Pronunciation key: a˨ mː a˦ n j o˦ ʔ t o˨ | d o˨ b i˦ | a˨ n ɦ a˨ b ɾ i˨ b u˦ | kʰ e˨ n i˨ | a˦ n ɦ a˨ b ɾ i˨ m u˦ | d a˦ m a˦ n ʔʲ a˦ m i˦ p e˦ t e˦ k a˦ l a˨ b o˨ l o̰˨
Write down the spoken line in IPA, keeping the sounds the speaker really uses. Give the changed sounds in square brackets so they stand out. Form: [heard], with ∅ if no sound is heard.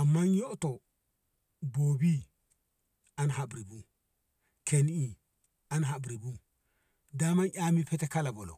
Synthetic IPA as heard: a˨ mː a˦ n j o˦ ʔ t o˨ | [b] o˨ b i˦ | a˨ n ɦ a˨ b ɾ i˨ b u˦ | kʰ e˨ n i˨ | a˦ n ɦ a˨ b ɾ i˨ [b] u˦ | d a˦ m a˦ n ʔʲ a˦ m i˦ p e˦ t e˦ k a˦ l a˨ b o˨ l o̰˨